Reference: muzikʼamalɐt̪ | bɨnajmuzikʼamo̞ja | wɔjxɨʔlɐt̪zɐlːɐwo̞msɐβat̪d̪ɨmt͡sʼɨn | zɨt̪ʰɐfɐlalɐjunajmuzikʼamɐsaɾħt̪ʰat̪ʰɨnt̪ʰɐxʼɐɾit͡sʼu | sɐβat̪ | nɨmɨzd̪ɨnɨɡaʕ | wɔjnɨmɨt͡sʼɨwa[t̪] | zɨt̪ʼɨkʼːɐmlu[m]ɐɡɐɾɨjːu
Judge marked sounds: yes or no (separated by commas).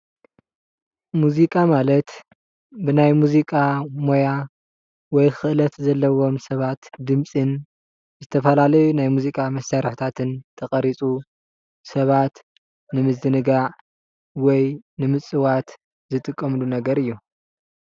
yes, no